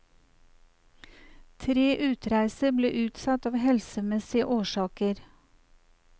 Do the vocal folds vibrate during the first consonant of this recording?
no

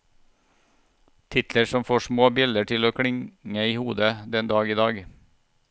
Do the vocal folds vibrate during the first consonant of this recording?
no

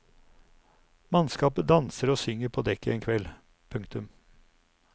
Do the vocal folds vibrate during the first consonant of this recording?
yes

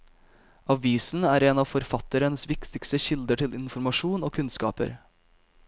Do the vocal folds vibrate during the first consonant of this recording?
yes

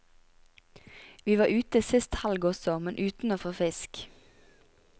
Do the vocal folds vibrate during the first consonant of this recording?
yes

